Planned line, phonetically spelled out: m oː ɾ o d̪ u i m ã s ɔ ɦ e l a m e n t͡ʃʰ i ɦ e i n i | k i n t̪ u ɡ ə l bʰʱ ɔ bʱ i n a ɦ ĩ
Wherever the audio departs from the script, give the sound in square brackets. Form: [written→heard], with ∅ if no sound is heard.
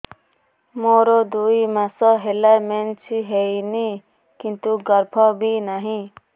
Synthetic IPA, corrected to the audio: m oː ɾ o d̪ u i m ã s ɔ ɦ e l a m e n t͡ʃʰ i ɦ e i n i | k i n t̪ u ɡ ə [l→ɾ] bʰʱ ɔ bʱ i n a ɦ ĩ